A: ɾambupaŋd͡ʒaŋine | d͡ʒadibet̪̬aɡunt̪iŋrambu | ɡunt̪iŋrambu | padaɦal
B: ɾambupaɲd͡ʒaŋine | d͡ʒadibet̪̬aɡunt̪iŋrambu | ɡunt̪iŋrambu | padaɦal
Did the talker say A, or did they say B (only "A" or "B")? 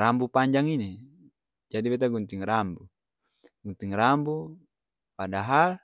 B